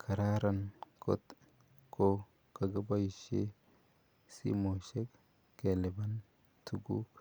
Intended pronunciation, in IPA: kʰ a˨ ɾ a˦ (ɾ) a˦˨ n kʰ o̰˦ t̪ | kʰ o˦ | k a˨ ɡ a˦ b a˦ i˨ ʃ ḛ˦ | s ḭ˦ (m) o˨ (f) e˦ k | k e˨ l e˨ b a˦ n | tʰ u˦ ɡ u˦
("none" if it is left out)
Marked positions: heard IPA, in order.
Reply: ɾ, m, ʃ

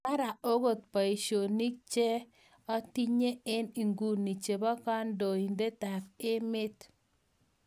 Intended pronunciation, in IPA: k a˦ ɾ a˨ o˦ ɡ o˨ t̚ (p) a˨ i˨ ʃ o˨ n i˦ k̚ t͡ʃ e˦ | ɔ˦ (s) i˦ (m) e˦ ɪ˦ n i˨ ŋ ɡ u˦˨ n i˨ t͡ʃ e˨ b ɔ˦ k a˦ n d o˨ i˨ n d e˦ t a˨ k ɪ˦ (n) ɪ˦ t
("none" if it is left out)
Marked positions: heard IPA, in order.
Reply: p, t, ɲ, m

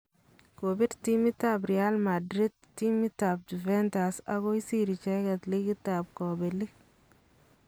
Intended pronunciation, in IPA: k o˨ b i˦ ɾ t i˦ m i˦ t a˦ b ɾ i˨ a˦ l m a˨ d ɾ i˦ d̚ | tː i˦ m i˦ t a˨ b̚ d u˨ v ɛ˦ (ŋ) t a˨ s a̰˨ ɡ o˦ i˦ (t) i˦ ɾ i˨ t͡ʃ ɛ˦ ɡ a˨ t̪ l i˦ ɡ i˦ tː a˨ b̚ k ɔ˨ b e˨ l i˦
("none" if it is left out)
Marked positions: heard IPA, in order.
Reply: n, s

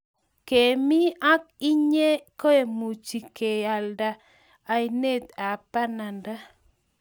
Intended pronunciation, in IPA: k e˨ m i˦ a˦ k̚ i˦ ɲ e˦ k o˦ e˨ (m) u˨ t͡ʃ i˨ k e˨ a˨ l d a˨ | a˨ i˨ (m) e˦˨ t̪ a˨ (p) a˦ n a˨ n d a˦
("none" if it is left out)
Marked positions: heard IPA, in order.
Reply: m, n, p

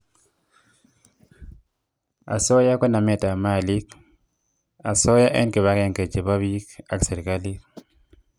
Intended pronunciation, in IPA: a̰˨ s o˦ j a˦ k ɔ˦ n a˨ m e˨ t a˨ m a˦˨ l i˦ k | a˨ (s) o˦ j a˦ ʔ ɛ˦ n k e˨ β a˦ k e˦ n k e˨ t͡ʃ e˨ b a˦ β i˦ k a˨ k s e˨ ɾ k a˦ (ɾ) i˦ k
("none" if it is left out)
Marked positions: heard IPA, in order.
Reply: s, l

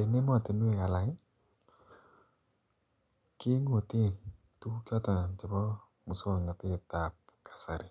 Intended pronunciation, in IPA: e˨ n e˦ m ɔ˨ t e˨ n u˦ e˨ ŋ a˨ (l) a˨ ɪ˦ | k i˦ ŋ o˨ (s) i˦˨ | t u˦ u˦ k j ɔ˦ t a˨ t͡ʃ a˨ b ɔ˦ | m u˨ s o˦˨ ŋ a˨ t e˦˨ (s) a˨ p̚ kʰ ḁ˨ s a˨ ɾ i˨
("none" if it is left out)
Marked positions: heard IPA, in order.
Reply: l, t, t

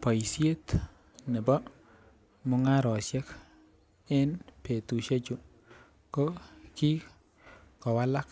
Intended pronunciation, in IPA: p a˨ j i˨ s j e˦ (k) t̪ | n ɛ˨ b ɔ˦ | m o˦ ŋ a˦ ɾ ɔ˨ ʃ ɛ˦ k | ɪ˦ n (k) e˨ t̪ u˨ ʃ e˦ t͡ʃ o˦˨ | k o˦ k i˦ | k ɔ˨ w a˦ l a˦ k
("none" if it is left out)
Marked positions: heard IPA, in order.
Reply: none, p

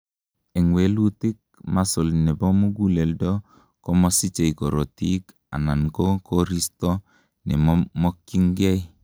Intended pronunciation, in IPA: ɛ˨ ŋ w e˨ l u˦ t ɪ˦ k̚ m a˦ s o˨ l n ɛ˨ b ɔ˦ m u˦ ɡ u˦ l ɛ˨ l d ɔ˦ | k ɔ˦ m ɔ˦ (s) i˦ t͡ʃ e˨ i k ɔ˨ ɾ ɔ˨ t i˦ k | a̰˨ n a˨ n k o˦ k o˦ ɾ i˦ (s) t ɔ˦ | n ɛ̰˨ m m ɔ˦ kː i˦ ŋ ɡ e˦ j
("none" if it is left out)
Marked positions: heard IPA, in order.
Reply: s, s

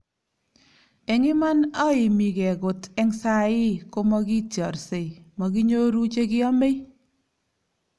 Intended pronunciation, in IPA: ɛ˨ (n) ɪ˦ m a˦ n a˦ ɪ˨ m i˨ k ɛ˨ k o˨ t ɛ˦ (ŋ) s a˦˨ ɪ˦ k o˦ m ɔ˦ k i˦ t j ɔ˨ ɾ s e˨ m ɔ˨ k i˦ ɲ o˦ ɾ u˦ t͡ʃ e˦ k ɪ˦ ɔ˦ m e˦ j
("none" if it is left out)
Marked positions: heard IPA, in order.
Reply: ŋ, ŋ

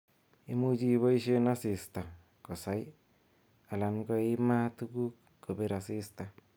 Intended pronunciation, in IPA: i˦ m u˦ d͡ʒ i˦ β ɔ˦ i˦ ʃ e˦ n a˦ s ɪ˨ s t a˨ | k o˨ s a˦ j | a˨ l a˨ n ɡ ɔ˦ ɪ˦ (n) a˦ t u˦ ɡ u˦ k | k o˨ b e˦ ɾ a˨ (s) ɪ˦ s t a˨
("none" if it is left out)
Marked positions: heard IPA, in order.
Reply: m, s

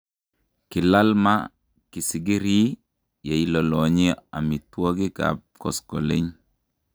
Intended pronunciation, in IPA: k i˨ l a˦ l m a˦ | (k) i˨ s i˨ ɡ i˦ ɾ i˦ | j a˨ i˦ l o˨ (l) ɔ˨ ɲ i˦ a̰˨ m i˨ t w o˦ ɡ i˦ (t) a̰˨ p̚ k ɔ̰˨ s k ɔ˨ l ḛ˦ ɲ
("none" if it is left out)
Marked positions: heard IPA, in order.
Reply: k, l, k

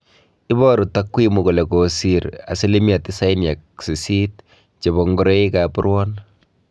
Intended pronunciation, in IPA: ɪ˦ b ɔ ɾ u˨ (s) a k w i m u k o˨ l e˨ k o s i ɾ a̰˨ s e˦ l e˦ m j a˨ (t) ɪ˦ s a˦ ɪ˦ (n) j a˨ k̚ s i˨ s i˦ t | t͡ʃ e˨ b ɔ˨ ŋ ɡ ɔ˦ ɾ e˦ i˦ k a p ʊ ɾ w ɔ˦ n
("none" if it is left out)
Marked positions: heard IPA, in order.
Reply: t, t, n

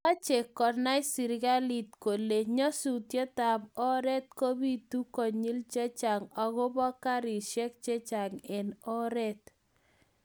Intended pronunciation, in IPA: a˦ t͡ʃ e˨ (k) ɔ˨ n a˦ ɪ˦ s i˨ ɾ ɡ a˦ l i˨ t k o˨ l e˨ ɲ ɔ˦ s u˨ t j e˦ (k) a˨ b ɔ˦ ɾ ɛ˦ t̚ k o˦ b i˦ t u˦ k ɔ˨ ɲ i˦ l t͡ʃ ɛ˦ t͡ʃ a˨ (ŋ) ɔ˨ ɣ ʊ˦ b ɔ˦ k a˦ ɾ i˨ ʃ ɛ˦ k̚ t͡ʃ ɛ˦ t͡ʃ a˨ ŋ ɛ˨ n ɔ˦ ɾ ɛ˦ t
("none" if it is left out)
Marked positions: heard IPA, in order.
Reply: k, t, ŋ

